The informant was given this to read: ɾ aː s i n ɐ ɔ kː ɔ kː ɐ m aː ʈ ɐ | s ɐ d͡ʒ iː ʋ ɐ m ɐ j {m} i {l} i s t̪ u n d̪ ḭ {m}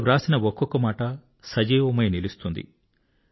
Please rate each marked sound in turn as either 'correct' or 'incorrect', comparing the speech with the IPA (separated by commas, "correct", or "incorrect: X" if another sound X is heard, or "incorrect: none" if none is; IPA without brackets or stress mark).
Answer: incorrect: n, correct, incorrect: none